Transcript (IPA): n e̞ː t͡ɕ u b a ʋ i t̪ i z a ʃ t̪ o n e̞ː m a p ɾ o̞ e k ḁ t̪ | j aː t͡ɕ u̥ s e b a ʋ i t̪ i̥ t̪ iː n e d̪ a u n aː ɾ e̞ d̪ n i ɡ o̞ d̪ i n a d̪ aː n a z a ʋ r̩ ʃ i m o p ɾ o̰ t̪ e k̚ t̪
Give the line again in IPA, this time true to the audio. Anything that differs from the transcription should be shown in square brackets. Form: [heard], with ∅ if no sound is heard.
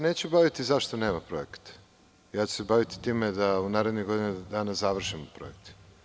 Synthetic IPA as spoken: n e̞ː t͡ɕ u b a ʋ i t̪ i z a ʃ t̪ o n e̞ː m a p ɾ o̞ e k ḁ t̪ | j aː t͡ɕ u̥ s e b a ʋ i t̪ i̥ t̪ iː [m] e d̪ a u n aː ɾ e̞ d̪ n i ɡ o̞ d̪ i n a d̪ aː n a z a ʋ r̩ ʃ i m o p ɾ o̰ [∅] e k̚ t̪